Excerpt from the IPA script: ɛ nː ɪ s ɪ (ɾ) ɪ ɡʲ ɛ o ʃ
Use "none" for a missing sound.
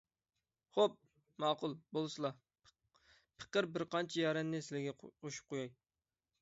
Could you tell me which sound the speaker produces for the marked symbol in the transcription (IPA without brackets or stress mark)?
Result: l